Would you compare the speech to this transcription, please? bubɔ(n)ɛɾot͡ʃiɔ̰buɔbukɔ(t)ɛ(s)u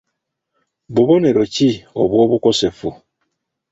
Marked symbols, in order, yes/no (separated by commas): yes, no, no